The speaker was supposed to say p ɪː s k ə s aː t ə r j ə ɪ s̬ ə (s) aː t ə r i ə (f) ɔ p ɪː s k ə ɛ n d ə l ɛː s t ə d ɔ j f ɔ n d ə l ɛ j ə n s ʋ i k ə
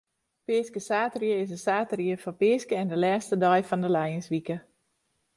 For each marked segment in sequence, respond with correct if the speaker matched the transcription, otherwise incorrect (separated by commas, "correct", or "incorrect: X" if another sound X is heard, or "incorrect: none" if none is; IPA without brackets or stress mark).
correct, correct